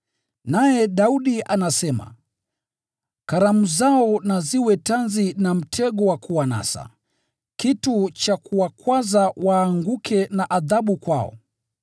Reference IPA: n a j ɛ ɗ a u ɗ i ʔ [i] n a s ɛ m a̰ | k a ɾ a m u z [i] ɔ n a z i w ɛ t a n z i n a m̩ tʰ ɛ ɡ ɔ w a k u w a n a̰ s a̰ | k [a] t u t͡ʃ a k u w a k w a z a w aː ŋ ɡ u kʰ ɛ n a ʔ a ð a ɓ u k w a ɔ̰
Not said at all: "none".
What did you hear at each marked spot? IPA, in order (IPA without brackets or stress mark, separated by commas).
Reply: a, a, i